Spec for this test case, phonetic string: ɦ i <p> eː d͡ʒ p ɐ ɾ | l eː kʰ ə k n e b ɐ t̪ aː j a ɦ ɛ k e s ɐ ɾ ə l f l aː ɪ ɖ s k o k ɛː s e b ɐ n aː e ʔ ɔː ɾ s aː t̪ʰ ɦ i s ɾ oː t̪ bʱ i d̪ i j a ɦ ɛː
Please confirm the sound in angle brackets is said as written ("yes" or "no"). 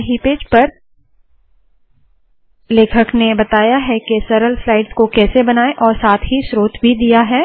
yes